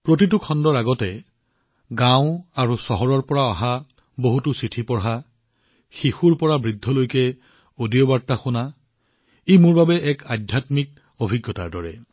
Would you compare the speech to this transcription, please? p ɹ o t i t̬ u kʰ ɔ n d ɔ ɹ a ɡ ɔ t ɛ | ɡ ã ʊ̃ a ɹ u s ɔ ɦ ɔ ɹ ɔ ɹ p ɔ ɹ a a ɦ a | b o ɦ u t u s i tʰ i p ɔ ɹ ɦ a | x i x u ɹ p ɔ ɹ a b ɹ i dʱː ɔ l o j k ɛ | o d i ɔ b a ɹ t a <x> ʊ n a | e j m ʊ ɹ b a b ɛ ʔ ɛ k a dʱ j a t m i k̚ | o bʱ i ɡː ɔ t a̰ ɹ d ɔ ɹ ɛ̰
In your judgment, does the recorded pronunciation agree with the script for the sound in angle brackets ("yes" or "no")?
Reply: yes